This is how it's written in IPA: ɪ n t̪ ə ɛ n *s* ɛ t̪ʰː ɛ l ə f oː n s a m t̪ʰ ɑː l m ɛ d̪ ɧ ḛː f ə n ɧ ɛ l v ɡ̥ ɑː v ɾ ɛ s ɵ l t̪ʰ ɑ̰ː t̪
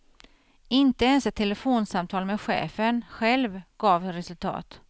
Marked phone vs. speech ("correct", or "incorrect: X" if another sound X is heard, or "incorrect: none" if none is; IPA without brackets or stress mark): correct